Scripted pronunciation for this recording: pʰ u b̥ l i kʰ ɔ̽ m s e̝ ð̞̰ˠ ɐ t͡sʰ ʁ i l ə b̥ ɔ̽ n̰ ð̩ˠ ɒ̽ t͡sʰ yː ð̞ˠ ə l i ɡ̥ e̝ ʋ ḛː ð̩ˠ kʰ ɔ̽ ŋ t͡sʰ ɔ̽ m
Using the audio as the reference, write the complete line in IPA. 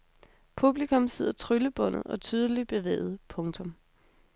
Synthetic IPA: pʰ u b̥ l i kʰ ɔ̽ m s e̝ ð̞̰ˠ ɐ t͡sʰ ʁ y l ə b̥ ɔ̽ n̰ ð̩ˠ ɒ̽ t͡sʰ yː ð̞ˠ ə l i b̥ e̝ ʋ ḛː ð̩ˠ pʰ ɔ̽ ŋ t͡sʰ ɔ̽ m

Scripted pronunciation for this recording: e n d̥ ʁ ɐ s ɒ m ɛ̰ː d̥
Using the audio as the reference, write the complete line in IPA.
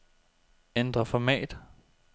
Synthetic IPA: e n d̥ ʁ ɐ f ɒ m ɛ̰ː d̥

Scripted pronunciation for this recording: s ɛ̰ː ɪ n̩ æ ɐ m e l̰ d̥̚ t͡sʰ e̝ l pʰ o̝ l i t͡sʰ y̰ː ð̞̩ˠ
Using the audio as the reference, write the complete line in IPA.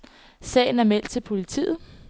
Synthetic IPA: s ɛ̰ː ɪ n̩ æ ɐ m e l̰ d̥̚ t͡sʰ e̝ l pʰ o̝ l i t͡sʰ ḭː ð̞̩ˠ

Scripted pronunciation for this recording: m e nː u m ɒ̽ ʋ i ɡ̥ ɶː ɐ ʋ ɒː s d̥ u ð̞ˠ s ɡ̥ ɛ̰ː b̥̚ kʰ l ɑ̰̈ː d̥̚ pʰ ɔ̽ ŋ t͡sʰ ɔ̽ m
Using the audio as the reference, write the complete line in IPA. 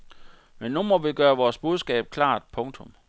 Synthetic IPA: m e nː u m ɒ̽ ʋ i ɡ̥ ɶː ɐ ʋ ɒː s b̥ u ð̞ˠ s ɡ̥ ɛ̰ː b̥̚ kʰ l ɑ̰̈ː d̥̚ pʰ ɔ̽ ŋ t͡sʰ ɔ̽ m

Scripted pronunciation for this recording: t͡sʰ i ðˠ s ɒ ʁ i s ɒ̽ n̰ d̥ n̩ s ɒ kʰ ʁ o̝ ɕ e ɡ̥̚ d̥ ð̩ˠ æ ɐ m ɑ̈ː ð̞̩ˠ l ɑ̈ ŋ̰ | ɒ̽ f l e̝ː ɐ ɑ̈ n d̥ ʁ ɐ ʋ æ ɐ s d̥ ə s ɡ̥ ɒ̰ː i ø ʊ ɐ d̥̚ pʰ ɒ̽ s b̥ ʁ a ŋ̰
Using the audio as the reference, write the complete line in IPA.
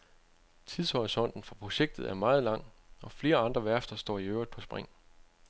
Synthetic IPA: t͡sʰ i ðˠ s ɒ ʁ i s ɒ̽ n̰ d̥ n̩ f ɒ pʰ ʁ o̝ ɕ e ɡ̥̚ d̥ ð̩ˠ æ ɐ m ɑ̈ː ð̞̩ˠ l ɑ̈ ŋ̰ | ɒ̽ f l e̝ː ɐ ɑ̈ n d̥ ʁ ɐ ʋ æ ɐ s d̥ ɐ s d̥ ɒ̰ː i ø ʊ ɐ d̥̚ pʰ ɒ̽ s b̥ ʁ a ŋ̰

